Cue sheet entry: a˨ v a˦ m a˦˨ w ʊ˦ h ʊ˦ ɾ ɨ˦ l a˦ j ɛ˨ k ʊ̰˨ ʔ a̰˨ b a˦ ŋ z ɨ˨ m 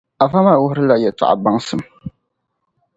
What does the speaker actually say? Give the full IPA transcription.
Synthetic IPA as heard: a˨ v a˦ m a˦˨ w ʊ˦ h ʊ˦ ɾ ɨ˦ l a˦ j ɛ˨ t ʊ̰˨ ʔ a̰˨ b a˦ ŋ s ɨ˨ m